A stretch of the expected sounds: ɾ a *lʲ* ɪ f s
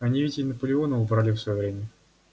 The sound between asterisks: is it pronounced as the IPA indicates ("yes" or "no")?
yes